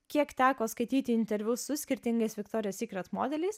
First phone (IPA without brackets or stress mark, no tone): kʲ